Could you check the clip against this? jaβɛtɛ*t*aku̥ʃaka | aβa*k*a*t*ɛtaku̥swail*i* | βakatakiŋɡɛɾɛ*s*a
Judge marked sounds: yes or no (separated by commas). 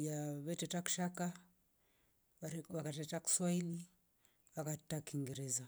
yes, yes, yes, yes, no